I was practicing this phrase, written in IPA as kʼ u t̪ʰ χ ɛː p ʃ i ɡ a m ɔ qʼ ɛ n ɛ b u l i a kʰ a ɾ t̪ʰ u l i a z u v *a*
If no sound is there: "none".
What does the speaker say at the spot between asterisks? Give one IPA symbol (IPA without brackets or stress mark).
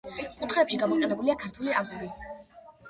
i